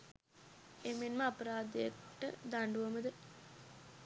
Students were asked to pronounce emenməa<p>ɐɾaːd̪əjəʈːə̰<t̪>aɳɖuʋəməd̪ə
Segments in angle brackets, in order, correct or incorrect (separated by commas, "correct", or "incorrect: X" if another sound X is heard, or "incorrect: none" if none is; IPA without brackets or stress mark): correct, incorrect: d̪